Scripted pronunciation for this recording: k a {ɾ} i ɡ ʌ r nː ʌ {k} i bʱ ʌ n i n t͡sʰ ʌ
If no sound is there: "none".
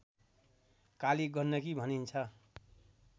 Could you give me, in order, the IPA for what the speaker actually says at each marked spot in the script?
l, k

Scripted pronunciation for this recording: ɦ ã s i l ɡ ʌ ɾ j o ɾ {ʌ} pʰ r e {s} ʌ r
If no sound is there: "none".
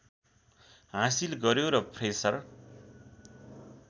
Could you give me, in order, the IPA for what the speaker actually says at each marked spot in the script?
ʌ, s

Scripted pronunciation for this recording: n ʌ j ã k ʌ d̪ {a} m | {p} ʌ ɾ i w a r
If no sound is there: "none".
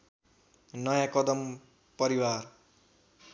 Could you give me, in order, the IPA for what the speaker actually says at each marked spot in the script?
ʌ, p

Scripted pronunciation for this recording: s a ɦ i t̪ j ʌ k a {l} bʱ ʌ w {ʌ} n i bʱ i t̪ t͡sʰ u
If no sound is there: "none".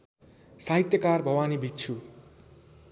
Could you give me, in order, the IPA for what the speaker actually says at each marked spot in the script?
r, a

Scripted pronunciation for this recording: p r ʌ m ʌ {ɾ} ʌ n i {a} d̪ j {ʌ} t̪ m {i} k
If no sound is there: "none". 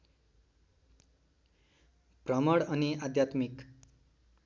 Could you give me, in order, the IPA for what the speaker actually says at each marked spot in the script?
ɽ, a, a, i

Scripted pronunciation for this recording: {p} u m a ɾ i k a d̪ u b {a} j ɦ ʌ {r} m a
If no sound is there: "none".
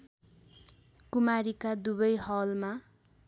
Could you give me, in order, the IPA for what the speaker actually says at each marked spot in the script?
k, ʌ, l

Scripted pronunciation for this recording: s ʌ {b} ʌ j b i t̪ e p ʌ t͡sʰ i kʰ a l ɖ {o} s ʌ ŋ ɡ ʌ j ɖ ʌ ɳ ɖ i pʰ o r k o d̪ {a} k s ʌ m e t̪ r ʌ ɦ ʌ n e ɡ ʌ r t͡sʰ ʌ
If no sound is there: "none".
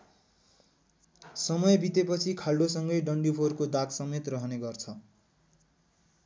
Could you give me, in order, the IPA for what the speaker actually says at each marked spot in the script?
m, o, a

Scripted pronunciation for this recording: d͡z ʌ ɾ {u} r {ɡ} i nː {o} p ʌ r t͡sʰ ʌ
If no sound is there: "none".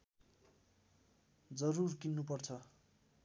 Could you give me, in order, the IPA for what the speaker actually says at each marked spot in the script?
u, k, u

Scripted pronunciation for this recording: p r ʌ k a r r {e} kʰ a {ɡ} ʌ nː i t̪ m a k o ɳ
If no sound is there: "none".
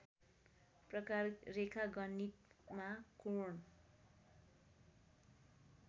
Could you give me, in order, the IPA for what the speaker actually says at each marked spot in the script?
e, ɡ

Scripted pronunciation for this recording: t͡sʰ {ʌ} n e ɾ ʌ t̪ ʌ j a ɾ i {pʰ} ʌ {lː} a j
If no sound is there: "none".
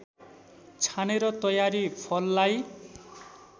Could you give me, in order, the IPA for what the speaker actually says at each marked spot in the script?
a, pʰ, lː

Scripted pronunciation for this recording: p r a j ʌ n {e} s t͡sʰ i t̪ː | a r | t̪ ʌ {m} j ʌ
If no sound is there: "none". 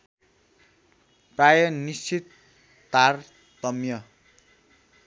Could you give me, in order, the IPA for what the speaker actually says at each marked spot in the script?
i, m

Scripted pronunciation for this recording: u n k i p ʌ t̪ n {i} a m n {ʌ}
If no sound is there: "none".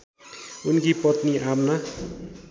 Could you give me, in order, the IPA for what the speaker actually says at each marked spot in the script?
i, a

